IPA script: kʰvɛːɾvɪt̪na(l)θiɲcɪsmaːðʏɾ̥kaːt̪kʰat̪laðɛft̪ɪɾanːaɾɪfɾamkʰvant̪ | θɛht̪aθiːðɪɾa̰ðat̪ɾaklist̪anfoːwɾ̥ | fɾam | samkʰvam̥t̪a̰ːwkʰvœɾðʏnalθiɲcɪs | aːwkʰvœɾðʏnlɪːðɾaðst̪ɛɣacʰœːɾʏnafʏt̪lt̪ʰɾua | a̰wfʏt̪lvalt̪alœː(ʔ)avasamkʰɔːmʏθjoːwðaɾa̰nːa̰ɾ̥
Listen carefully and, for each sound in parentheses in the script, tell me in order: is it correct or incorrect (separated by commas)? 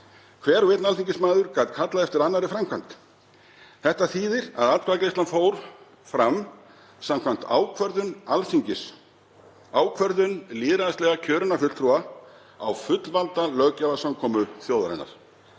correct, incorrect